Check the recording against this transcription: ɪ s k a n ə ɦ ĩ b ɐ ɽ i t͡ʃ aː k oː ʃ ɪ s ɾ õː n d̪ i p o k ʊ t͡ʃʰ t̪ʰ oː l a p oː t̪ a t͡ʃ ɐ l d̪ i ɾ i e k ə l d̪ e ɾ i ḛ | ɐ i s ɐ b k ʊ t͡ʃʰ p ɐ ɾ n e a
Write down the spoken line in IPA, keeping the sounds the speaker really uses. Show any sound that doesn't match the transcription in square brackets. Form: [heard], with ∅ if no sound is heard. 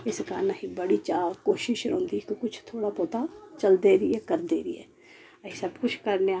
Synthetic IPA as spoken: ɪ s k a n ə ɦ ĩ b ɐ ɽ i t͡ʃ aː k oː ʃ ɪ [ʃ] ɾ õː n d̪ i [k] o k ʊ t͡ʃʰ t̪ʰ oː [ɽ] a p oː t̪ a t͡ʃ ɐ l d̪ [e] ɾ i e k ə [ɾ] d̪ e ɾ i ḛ | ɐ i s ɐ b k ʊ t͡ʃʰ [k] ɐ ɾ n e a